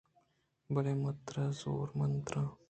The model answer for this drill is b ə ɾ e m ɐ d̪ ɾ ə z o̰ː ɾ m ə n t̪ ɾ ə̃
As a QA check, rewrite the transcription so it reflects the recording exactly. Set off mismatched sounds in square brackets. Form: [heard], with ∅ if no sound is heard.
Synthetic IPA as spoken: b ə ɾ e m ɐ [t̪] ɾ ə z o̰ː ɾ m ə n t̪ ɾ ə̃